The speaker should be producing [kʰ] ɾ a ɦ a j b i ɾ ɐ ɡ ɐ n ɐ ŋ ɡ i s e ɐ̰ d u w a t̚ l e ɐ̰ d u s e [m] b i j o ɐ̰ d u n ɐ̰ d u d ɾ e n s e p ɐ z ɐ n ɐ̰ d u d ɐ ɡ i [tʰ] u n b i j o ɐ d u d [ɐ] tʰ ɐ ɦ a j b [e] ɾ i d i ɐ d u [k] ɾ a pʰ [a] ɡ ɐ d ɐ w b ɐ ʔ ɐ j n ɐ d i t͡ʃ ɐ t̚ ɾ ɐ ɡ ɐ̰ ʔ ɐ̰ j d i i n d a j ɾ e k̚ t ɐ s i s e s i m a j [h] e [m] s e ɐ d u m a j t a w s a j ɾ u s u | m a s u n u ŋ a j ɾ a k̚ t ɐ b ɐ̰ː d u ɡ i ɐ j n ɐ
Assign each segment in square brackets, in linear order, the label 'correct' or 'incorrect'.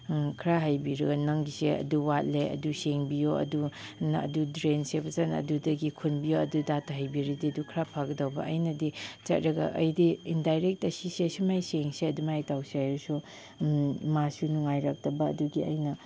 correct, incorrect: ŋ, incorrect: kʰ, incorrect: a, incorrect: i, incorrect: kʰ, correct, incorrect: s, incorrect: ŋ

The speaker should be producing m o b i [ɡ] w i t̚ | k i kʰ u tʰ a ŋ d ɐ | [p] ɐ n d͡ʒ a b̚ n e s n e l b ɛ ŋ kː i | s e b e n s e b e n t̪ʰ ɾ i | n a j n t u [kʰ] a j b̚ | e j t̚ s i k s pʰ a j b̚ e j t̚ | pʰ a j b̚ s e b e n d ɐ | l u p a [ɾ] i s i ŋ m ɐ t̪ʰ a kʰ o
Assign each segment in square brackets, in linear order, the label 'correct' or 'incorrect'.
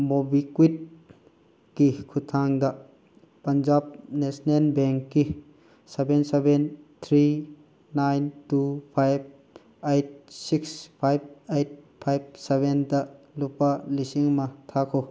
incorrect: k, correct, incorrect: pʰ, incorrect: l

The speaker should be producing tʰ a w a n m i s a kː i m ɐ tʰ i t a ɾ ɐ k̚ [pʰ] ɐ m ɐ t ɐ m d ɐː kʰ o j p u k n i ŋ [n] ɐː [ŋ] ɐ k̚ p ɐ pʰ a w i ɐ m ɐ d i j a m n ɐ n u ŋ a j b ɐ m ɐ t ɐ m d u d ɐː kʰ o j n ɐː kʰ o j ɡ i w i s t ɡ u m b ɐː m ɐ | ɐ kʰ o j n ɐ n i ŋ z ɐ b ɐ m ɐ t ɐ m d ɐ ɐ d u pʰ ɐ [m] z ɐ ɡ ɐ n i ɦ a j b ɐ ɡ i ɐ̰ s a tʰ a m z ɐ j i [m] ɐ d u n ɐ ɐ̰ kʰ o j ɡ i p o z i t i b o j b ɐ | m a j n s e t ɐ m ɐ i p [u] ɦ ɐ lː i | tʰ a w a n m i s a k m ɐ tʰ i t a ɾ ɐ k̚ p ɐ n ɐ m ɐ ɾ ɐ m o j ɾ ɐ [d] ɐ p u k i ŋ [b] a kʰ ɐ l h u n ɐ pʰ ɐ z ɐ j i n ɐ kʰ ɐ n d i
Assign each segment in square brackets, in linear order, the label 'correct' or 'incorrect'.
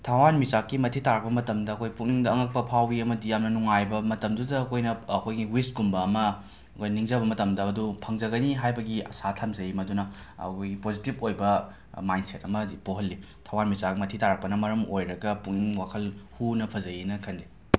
incorrect: p, incorrect: d, correct, incorrect: ŋ, correct, incorrect: o, incorrect: ɡ, incorrect: w

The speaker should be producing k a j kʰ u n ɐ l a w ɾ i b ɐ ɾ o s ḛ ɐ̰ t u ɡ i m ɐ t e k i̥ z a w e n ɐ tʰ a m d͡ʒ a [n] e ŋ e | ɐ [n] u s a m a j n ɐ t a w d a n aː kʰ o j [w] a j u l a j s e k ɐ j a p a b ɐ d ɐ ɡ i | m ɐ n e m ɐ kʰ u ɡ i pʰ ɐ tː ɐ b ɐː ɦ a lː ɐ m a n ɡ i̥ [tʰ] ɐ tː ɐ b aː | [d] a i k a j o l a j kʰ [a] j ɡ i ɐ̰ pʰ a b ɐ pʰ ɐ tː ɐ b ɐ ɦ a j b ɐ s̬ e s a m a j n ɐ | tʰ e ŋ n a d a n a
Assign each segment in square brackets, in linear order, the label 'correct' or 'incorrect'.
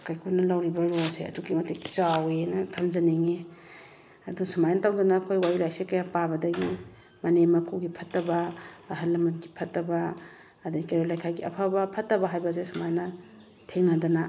correct, incorrect: d, correct, incorrect: pʰ, correct, correct

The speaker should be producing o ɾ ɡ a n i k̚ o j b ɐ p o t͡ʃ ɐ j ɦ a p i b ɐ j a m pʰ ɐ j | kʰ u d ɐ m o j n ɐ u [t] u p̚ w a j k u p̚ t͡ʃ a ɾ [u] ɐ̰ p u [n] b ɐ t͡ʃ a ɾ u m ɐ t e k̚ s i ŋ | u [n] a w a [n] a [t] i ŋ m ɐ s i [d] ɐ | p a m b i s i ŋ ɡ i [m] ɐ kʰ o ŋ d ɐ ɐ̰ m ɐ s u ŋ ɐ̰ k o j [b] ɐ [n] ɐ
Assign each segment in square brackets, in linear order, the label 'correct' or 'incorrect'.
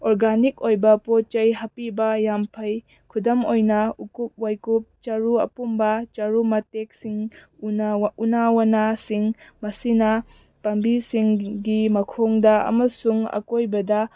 incorrect: k, correct, incorrect: m, correct, correct, incorrect: s, incorrect: n, correct, correct, incorrect: d

